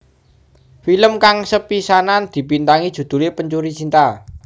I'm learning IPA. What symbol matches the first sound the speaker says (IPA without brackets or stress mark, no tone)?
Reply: f